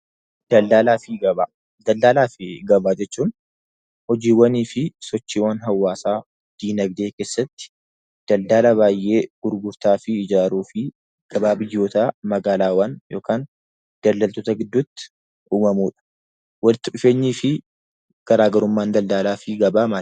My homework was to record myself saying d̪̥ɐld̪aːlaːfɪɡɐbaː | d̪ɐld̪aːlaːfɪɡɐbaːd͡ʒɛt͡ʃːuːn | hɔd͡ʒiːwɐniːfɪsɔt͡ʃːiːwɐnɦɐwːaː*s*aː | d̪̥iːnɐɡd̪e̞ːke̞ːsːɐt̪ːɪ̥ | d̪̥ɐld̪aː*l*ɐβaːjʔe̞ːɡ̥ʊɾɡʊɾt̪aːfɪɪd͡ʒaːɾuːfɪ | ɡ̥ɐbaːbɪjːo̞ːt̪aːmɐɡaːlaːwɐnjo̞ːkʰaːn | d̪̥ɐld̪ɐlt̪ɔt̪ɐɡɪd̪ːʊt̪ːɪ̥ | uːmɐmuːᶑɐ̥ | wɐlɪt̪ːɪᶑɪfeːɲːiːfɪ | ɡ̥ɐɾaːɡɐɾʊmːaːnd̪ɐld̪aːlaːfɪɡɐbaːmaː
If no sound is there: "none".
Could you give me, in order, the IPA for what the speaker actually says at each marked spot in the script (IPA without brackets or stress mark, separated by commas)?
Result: s, l